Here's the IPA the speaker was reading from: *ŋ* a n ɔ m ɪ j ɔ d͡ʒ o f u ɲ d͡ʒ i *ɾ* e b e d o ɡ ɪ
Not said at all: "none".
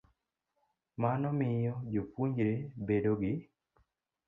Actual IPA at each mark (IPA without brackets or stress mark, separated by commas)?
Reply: m, ɾ